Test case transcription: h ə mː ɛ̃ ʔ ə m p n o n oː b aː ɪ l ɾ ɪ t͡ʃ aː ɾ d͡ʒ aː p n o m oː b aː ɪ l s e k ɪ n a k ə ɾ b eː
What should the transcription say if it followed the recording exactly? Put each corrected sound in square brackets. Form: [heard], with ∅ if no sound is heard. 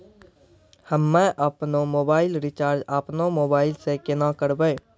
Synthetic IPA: h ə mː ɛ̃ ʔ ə [∅] p n o [m] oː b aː ɪ l ɾ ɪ t͡ʃ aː ɾ d͡ʒ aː p n o m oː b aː ɪ l s e k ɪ n a k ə ɾ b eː